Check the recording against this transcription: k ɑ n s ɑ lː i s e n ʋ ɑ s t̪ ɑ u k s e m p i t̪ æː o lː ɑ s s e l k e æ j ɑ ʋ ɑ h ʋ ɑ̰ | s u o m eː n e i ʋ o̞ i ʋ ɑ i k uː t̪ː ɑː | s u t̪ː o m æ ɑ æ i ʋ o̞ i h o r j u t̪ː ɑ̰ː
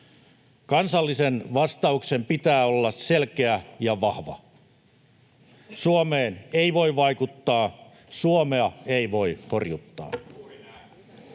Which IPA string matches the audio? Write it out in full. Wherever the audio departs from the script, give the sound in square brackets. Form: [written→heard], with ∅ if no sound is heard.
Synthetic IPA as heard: k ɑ n s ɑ lː i s e n ʋ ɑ s t̪ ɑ u k s e m p i t̪ æː o lː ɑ s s e l k e æ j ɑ ʋ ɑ h ʋ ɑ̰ | s u o m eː n e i ʋ o̞ i ʋ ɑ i k [uː→u] t̪ː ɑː | s u [t̪ː→∅] o m [æ→e] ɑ [æ→e] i ʋ o̞ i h o r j u t̪ː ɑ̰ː

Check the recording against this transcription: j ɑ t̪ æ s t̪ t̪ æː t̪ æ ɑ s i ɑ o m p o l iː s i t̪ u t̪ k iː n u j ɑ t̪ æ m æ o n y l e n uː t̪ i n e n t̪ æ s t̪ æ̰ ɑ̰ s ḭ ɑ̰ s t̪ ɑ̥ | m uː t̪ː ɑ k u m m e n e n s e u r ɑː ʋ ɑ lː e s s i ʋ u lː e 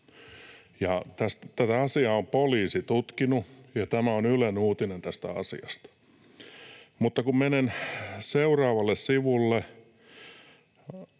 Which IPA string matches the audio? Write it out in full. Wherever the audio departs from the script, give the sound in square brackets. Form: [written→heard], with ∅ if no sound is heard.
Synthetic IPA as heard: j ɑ t̪ æ s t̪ t̪ [æː→æ] t̪ æ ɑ s i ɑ o m p o l iː s i t̪ u t̪ k [iː→i] n u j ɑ t̪ æ m æ o n y l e n uː t̪ i n e n t̪ æ s t̪ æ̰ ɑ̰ s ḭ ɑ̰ s t̪ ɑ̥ | m [uː→u] t̪ː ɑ k u m m e n e n s e u r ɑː ʋ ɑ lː e s s i ʋ u lː e

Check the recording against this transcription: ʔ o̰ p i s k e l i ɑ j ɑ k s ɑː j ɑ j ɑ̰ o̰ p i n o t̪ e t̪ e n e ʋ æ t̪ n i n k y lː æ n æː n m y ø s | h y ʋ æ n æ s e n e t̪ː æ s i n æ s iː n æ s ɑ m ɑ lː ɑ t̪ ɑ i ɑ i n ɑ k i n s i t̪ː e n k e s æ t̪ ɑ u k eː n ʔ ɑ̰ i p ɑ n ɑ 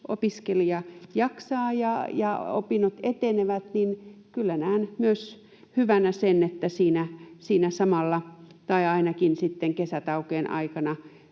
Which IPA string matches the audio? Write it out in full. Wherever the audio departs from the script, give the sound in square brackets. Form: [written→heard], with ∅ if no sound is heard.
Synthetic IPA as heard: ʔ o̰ p i s k e l i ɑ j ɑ k s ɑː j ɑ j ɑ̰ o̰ p i n o t̪ e t̪ e n e ʋ æ t̪ n i n k y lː æ n æː n m y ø s | h y ʋ æ n æ s e n e t̪ː æ s [i→iː] n æ s iː n æ s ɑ m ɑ lː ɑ t̪ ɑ i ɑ i n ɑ k i n s i t̪ː e [n→ŋ] k e s æ t̪ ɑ u k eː n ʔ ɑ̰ i [p→k] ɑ n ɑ

